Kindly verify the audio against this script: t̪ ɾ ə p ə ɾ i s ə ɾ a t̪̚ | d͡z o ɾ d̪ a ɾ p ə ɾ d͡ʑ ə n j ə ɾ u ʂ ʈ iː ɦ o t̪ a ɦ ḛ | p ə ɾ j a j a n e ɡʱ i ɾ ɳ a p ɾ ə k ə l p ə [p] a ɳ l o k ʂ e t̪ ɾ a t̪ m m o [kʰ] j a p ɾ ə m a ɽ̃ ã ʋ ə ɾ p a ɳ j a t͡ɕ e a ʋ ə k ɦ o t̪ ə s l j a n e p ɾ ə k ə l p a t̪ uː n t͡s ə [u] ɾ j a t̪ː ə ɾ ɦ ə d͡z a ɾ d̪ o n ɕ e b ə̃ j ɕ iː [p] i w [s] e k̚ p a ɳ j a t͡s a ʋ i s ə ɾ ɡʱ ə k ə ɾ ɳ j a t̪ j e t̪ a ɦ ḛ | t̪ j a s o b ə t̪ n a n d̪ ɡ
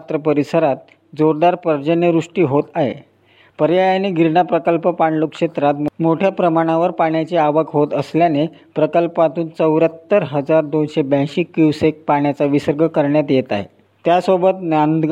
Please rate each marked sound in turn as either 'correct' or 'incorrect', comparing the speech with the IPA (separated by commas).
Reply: correct, incorrect, incorrect, incorrect, correct